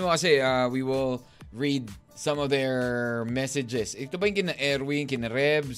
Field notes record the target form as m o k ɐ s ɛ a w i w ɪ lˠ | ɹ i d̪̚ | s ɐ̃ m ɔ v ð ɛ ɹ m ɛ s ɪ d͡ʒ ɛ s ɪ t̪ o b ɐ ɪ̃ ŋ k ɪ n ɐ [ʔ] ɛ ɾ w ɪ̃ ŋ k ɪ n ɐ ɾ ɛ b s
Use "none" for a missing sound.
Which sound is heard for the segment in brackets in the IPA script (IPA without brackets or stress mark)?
ʔ